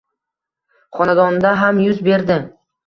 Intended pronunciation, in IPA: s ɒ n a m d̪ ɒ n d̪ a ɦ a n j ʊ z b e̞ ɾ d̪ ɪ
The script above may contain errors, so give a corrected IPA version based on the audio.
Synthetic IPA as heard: χ ɒ n a d̪ ɒ n d̪ a ɦ a m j ʊ z b e̞ ɾ d̪ ɪ